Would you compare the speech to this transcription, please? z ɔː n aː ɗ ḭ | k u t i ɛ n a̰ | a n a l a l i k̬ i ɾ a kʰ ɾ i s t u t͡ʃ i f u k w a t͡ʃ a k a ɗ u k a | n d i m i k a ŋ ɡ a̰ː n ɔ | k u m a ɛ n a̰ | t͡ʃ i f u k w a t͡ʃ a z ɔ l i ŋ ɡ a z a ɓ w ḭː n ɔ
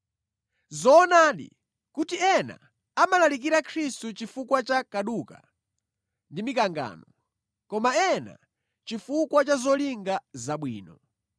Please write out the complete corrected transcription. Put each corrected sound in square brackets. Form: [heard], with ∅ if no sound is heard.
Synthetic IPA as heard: z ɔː n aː ɗ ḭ | k u t i ɛ n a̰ | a [m] a l a l i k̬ i ɾ a kʰ ɾ i s t u t͡ʃ i f u k w a t͡ʃ a k a ɗ u k a | n d i m i k a ŋ ɡ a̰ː n ɔ | k [ɔ] m a ɛ n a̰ | t͡ʃ i f u k w a t͡ʃ a z ɔ l i ŋ ɡ a z a ɓ w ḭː n ɔ